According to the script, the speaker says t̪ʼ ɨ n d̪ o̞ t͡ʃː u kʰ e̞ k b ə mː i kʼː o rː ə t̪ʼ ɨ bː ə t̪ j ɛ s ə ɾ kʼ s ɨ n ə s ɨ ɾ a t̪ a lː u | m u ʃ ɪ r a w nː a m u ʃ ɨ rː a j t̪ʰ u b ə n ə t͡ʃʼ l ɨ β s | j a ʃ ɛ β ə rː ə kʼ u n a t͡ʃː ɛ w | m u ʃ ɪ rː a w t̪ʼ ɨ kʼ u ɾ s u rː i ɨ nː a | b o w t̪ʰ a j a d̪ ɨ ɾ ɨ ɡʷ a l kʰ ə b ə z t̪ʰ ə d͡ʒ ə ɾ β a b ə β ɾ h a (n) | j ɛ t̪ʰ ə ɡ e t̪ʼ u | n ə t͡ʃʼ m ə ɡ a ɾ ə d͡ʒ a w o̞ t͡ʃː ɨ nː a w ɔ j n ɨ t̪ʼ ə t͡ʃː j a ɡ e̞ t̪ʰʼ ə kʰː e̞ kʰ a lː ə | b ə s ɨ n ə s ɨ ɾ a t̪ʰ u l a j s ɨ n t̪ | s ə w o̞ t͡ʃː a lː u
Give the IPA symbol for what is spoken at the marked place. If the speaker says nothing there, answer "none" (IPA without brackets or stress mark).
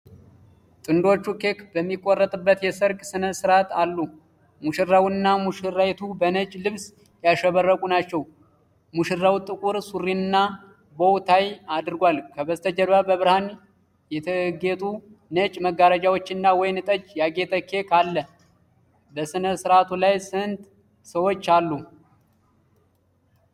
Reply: n